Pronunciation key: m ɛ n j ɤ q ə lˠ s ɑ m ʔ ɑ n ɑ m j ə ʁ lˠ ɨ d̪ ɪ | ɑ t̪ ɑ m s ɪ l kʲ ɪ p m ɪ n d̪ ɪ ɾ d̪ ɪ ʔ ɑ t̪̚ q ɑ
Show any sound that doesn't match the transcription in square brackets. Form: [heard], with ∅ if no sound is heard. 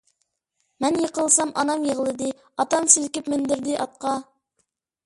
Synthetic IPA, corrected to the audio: m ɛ n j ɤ q ə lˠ s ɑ m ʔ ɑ n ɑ m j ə ʁ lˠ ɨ d̪ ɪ | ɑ t̪ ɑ m s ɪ l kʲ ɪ p m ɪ n d̪ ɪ ɾ d̪ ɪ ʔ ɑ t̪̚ q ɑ